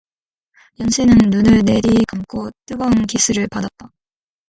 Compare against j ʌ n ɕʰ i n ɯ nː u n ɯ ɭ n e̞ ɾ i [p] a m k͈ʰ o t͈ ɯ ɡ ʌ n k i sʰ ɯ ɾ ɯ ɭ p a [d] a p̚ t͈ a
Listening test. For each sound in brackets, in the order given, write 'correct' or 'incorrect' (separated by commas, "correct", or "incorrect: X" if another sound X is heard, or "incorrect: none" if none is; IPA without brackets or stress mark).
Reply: incorrect: k, correct